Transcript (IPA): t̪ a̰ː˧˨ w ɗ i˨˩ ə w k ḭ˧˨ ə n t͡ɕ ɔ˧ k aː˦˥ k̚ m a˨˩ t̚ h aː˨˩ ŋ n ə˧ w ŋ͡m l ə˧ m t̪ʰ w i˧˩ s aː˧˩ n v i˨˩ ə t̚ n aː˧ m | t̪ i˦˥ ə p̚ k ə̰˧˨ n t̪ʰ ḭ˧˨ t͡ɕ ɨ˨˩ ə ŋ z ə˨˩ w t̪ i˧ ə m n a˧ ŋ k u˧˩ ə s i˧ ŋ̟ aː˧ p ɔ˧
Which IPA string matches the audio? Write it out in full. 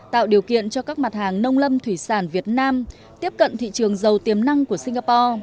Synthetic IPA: t̪ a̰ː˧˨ w ɗ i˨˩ ə w k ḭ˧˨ ə n t͡ɕ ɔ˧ k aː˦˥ k̚ m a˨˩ t̚ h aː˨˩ ŋ n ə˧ w ŋ͡m l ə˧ m t̪ʰ w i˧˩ s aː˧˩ n v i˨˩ ə t̚ n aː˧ m | t̪ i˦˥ ə p̚ k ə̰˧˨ n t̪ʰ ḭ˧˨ t͡ɕ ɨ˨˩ ə ŋ z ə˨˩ w t̪ i˨˩ ə m n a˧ ŋ k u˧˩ ə s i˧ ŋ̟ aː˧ p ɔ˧

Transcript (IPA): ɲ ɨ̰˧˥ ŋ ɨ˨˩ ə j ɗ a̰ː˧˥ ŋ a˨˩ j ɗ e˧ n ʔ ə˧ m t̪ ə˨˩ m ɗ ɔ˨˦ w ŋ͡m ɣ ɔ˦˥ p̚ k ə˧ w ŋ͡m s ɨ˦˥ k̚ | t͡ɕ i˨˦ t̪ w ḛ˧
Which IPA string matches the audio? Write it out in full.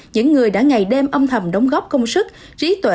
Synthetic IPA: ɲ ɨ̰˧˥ ŋː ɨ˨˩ ə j ɗ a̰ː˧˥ ŋ a˨˩ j ɗ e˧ m ʔ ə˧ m t̪ʰ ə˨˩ m ɗ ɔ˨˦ w ŋ͡m ɣ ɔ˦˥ p̚ k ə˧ w ŋ͡m s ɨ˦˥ k̚ | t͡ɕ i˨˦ t̪ w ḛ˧

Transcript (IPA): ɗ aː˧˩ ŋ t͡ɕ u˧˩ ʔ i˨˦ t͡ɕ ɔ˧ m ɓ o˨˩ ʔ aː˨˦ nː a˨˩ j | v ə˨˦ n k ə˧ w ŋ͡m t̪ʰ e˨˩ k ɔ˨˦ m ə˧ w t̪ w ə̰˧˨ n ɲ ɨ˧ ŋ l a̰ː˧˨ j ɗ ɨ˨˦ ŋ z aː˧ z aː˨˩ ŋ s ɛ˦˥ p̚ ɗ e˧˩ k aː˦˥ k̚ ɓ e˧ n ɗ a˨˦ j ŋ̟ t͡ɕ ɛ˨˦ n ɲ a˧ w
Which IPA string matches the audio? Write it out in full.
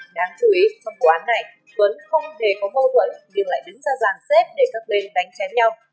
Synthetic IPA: ɗ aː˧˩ ŋ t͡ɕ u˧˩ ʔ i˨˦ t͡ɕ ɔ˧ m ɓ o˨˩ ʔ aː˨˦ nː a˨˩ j | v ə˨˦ n x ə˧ w ŋ͡m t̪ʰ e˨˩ k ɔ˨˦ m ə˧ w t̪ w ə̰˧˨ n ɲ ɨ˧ ŋ l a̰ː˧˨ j ɗ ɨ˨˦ ŋ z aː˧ z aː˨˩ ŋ s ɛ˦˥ p̚ ɗ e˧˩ k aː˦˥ k̚ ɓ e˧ n ɗ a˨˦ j ŋ̟ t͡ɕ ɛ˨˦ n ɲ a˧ w

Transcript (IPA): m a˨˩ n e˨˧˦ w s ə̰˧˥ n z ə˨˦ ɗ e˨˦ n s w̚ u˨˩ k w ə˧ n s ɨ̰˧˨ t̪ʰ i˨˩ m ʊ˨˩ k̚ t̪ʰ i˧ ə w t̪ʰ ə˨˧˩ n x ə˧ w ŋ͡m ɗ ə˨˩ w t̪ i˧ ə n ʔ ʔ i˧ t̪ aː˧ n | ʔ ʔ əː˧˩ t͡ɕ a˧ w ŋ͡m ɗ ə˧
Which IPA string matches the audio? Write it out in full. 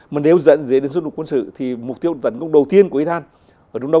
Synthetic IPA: m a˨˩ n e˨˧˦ w z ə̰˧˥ n z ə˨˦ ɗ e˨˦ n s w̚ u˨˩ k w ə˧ n s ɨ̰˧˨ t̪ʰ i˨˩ m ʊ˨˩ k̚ t̪ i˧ ə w t̪ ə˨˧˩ n k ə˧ w ŋ͡m ɗ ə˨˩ w t̪ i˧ ə n k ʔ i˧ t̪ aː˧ n | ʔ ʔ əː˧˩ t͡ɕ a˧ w ŋ͡m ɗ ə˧

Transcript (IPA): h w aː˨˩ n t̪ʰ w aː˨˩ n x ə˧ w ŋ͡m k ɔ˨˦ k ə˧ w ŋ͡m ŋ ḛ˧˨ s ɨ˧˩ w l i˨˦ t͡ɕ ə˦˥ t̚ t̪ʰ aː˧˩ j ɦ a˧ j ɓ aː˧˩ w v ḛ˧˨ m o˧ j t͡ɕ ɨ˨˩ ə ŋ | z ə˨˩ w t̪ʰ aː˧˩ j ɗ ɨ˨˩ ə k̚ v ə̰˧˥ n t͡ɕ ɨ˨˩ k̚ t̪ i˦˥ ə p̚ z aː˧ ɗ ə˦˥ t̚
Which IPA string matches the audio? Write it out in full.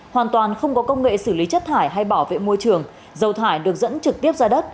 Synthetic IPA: h w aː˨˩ n t̪ w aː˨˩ n x ə˧ w ŋ͡m k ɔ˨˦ k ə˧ w ŋ͡m ŋ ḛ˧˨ s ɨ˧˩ l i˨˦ t͡ɕ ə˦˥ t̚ t̪ʰ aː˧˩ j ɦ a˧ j ɓ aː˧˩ w v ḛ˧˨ m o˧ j t͡ɕ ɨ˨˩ ə ŋ | z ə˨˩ w t̪ʰ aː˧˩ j ɗ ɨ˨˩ ə k̚ z ə̰˧˥ n t͡ɕ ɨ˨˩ k̚ t̪ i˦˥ ə p̚ z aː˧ ɗ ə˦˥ t̚

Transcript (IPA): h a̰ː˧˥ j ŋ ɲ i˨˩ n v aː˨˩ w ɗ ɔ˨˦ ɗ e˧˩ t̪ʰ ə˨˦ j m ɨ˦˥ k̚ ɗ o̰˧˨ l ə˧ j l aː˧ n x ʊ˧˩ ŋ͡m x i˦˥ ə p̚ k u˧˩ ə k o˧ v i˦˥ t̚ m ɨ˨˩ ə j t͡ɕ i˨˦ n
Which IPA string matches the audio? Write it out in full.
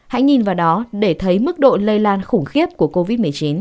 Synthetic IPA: h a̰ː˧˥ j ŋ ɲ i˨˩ n v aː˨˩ w ɗ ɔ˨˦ ɗ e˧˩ t̪ʰ ə˨˦ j m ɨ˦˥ k̚ ɗ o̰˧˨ l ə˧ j l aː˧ n x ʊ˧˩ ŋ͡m x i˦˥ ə p̚ k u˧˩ ə k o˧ v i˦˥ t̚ m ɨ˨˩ ə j t͡ɕ i˨˦ n

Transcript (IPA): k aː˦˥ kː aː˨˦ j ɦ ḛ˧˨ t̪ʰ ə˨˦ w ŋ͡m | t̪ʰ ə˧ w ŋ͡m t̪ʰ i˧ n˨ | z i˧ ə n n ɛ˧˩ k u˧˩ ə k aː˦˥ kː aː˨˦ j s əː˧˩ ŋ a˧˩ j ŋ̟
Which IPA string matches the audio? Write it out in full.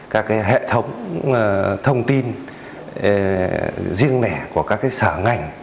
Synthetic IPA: k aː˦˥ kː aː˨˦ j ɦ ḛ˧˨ t̪ʰ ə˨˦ w ŋ͡m | t̪ʰ ə˧ w ŋ͡m t̪ i˧ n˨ | z i˧ ə ŋ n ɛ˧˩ k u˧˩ ə k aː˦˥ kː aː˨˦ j s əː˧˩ ŋ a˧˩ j ŋ̟

